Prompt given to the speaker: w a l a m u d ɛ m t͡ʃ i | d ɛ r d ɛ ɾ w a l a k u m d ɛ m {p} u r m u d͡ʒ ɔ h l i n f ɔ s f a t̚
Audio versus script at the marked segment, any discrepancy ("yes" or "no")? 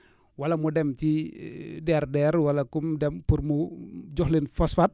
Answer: no